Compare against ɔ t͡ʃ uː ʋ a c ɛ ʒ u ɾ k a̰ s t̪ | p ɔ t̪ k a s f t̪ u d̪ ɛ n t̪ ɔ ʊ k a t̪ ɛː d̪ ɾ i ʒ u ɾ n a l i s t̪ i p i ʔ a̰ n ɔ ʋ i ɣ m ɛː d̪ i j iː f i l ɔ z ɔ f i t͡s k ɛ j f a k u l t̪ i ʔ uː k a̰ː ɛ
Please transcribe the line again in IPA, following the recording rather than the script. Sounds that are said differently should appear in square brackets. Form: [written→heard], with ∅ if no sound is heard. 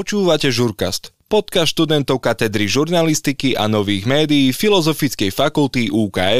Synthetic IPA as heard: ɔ t͡ʃ uː ʋ a c ɛ ʒ u ɾ k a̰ s t̪ | p ɔ t̪ k a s [f→ʃ] t̪ u d̪ ɛ n t̪ ɔ ʊ k a t̪ [ɛː→ɛ] d̪ ɾ i ʒ u ɾ n a l i s t̪ i [p→k] i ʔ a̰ n ɔ ʋ [i→iː] ɣ m ɛː d̪ i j iː f i l ɔ z ɔ f i t͡s k ɛ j f a k u l t̪ i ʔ uː k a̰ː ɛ